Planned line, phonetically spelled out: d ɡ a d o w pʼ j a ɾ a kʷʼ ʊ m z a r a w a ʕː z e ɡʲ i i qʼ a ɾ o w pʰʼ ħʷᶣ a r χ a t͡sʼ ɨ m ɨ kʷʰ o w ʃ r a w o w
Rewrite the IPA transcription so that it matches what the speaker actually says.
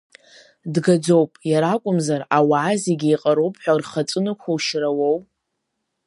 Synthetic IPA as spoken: d ɡ a d͡z o w pʼ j a ɾ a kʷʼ ʊ m z a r a w a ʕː z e ɡʲ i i qʼ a ɾ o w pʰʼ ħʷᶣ a r χ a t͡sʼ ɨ n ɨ kʷʰ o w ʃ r a w o w